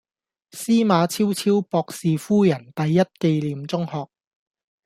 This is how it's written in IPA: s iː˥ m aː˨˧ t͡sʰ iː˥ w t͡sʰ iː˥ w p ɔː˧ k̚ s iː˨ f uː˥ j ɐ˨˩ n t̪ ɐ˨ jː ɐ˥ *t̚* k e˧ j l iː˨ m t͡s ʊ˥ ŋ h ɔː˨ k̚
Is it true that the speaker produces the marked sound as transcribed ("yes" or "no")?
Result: yes